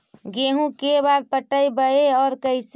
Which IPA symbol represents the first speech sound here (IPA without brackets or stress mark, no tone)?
ɡ